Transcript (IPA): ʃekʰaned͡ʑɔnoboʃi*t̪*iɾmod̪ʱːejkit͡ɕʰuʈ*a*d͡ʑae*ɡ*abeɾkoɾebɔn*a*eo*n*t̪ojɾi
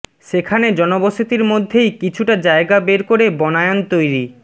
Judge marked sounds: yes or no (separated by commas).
yes, yes, yes, yes, yes